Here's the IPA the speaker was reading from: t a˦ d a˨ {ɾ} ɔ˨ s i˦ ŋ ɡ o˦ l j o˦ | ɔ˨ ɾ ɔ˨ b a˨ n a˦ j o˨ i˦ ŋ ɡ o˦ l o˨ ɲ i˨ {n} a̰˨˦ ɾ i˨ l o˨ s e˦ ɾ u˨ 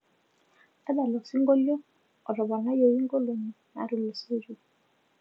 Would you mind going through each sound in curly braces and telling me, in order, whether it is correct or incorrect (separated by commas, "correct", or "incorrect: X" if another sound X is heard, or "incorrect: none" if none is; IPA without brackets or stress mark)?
incorrect: l, correct